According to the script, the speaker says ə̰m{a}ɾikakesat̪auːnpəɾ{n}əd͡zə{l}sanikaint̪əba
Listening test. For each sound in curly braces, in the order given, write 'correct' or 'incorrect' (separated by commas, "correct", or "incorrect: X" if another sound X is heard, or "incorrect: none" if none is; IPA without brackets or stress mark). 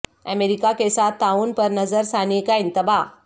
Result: incorrect: e, correct, incorrect: ɾ